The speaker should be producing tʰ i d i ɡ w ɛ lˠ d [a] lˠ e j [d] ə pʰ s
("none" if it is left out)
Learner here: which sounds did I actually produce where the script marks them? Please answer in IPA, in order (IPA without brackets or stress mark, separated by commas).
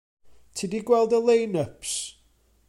ə, n